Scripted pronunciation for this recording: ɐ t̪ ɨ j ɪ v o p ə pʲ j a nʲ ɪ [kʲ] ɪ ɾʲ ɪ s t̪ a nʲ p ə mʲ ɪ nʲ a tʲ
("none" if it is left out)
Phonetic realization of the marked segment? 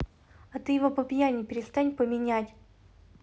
pʲ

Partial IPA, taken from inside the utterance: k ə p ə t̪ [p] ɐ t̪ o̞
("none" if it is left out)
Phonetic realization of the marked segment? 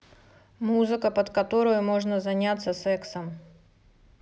k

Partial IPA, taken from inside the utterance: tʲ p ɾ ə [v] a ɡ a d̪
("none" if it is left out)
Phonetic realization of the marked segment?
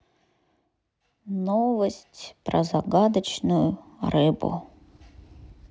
z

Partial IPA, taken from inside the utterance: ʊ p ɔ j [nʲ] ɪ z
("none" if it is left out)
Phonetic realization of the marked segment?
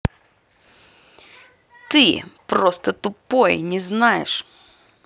nʲ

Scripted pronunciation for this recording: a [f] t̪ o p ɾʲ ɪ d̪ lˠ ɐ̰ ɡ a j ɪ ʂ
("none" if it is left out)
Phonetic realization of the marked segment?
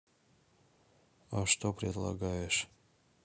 ʂ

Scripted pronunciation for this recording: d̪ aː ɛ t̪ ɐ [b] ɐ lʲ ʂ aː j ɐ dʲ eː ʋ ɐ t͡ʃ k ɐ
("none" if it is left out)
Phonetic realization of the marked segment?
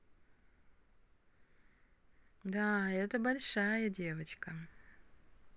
b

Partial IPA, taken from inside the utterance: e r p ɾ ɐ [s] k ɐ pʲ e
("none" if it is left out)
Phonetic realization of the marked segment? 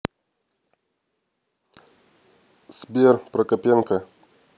none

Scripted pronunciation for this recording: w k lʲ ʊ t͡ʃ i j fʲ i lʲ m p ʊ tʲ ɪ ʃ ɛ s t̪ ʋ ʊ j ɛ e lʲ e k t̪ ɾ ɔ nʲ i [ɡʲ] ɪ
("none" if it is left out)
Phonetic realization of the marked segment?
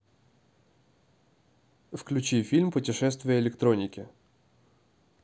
kʲ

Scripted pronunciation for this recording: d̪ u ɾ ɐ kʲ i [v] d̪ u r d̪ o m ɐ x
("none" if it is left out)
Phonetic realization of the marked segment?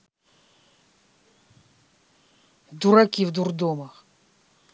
v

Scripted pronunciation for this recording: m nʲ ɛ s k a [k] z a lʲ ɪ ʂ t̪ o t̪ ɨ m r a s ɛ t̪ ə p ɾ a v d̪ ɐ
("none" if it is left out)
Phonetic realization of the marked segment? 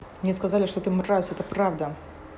none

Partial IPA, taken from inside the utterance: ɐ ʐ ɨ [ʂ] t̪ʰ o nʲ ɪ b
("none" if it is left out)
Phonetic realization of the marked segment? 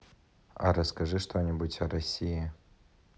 ʂ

